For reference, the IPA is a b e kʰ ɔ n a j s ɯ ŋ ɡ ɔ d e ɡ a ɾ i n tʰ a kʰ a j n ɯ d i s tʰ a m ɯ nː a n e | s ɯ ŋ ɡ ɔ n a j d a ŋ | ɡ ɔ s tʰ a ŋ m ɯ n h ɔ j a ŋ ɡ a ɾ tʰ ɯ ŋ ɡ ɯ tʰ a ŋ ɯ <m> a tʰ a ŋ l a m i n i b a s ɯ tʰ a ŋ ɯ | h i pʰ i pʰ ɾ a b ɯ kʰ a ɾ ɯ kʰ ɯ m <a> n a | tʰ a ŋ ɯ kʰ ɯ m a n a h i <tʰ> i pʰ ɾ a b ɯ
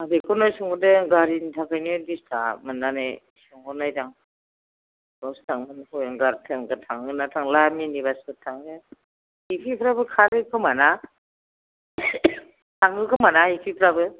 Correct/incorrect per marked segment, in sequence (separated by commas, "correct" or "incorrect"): incorrect, correct, incorrect